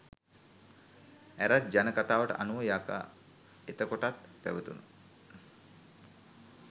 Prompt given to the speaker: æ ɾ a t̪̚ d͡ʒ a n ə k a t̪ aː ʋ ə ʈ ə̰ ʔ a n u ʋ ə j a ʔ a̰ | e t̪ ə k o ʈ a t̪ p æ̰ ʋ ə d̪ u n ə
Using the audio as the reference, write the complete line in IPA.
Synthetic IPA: æ ɾ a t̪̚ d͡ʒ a n ə k a t̪ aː ʋ ə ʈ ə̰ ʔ a n u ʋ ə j a k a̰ | e t̪ ə k o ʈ a t̪ p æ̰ ʋ ə t̪ u n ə

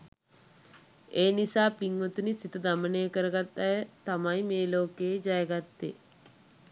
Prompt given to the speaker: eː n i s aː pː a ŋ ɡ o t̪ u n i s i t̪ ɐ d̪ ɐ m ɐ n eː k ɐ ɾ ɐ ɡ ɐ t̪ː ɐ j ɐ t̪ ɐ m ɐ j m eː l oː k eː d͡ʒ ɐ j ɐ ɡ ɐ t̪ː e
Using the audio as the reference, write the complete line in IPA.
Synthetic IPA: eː n i s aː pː i ŋ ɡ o t̪ u n i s i t̪ ɐ d̪ ɐ m ɐ n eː k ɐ ɾ ɐ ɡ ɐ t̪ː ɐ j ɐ t̪ ɐ m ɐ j m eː l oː k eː d͡ʒ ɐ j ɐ ɡ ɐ t̪ː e

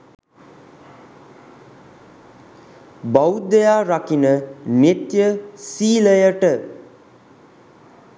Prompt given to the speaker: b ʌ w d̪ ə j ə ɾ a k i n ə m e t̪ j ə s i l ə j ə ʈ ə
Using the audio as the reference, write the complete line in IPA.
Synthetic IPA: b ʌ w d̪ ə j a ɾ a k i n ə n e t̪ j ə s i l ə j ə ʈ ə

